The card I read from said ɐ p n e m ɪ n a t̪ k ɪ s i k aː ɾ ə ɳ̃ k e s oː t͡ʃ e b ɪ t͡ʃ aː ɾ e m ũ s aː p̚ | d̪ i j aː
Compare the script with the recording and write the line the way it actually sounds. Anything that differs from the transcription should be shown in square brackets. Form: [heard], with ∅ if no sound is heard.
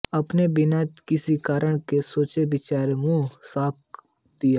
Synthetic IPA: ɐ p n e [b] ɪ n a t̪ k ɪ s i k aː ɾ ə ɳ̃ k e s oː t͡ʃ e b ɪ t͡ʃ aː ɾ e m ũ s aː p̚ | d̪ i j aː